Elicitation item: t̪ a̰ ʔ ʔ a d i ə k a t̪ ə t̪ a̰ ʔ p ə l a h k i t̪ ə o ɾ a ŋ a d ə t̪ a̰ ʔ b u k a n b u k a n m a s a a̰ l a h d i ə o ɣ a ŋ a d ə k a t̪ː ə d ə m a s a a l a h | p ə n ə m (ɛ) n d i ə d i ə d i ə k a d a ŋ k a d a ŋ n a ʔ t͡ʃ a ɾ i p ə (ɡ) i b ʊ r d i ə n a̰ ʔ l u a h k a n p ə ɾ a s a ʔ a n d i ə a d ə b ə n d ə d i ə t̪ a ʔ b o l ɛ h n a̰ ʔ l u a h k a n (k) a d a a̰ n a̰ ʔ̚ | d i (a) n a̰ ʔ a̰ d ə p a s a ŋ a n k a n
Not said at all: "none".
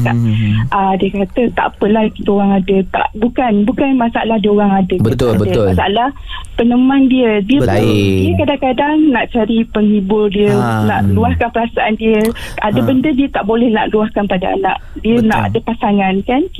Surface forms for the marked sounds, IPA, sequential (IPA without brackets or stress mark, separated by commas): a, ŋ, p, ə